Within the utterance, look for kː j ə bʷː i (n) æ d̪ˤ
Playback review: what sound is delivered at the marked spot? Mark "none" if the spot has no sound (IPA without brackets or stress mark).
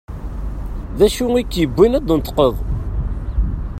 n